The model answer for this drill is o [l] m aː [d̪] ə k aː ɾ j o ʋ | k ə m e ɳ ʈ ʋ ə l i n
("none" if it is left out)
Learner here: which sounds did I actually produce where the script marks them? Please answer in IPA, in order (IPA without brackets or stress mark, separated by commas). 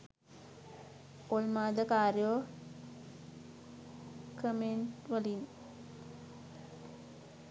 l, d̪